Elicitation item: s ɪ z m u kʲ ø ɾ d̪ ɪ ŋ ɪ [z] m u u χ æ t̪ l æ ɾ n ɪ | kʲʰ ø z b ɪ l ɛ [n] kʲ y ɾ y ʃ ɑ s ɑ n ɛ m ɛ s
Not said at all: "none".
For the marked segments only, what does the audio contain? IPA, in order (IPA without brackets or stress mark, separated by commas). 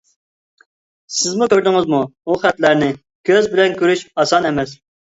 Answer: z, n